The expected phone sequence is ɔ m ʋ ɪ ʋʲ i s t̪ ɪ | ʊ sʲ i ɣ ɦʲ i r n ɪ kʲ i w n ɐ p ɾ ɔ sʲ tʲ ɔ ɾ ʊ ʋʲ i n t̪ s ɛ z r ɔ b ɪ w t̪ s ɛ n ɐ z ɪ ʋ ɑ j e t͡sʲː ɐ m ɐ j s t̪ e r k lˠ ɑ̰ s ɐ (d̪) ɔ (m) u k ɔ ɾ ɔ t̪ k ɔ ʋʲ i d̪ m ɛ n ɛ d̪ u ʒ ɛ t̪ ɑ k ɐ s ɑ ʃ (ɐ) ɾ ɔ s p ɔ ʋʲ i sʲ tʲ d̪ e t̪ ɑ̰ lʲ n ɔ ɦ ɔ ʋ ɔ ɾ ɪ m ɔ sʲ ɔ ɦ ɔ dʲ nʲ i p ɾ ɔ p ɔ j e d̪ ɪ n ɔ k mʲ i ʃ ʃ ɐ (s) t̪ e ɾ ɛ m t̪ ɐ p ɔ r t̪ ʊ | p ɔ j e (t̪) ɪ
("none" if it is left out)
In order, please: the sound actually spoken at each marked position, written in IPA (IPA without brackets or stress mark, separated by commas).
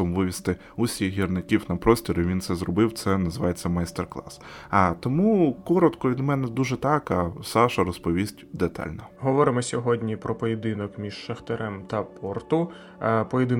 t̪, m, ɐ, x, d̪